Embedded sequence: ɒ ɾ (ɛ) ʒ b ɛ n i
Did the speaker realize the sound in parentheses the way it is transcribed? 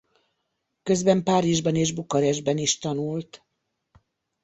yes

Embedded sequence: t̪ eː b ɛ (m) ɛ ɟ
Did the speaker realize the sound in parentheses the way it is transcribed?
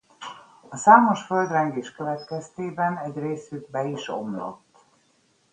no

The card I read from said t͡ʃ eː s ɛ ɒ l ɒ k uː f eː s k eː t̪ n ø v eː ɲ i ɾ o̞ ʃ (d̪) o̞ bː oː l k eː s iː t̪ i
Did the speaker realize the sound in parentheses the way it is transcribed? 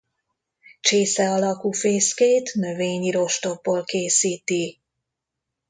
no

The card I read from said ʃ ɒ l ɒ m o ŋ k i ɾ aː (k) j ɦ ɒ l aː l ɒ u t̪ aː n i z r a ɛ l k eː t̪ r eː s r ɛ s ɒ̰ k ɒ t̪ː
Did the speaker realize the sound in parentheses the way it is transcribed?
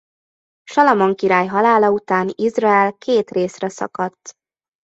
no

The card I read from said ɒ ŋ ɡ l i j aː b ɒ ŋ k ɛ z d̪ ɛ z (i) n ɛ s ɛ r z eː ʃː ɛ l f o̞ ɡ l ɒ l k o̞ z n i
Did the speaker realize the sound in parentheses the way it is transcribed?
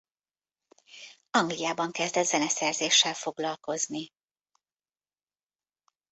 no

